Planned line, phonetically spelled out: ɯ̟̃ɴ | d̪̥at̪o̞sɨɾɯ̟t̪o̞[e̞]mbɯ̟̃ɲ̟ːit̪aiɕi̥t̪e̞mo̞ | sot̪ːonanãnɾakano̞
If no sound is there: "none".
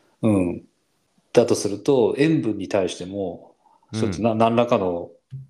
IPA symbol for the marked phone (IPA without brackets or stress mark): ẽ̞